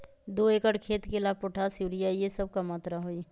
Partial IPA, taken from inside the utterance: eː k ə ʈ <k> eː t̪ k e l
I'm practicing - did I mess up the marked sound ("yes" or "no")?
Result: yes